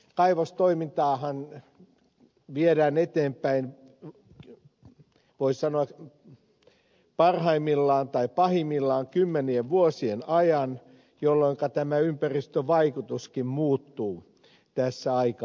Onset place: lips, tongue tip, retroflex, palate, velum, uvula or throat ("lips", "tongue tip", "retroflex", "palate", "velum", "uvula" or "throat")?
velum